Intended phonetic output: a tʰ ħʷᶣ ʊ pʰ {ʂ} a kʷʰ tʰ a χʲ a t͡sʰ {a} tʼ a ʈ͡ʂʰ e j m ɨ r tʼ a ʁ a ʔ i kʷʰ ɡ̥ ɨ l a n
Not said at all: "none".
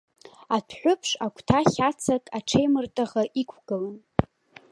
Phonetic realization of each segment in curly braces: ʂ, a

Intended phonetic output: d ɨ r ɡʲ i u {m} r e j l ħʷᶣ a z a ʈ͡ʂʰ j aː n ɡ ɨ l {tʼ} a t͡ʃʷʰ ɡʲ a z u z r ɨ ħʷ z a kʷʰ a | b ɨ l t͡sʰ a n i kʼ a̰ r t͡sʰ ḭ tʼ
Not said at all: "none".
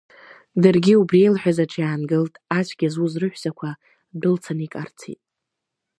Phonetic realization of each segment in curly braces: b, tʼ

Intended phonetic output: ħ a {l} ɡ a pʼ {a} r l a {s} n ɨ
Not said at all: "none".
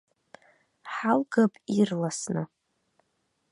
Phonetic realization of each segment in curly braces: l, i, s

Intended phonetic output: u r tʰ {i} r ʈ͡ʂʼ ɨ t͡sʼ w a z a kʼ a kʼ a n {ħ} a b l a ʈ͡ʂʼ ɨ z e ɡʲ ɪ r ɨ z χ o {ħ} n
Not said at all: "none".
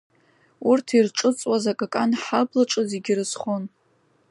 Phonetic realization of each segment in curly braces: i, ħ, none

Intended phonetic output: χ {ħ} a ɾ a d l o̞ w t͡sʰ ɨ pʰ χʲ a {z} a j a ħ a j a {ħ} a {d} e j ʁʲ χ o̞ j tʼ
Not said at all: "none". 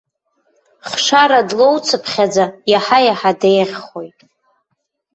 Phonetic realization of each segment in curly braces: ʂ, d͡z, ħ, d

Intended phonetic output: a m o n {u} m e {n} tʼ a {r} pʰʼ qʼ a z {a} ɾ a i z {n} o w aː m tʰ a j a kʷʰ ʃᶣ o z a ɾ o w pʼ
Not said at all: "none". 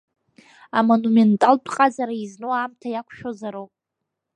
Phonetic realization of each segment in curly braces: u, n, l, a, n

